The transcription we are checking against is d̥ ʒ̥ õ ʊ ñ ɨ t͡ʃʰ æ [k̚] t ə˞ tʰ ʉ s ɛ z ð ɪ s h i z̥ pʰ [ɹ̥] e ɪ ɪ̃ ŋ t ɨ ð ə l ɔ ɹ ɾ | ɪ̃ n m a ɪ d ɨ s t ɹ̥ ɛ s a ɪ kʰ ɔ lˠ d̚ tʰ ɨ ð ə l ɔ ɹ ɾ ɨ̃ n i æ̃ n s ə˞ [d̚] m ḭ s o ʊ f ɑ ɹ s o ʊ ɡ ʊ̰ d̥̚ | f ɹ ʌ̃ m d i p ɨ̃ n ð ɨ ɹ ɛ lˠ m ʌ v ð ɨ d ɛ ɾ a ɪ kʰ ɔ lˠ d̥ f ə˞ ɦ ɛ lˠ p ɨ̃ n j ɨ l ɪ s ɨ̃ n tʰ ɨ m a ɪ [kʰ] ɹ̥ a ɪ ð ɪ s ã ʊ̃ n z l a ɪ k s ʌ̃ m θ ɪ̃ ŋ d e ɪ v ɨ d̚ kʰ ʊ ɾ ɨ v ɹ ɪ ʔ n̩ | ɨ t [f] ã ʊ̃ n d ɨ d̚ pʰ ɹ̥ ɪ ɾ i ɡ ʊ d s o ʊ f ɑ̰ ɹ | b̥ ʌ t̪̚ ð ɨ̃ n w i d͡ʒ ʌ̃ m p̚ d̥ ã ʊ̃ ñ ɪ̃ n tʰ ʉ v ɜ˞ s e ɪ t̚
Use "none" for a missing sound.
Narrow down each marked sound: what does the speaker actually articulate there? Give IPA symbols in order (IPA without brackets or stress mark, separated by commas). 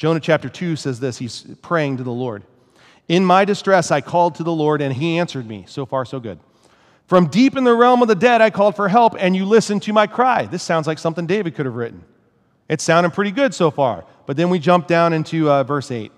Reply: p̚, ɹ̥, d̚, kʰ, s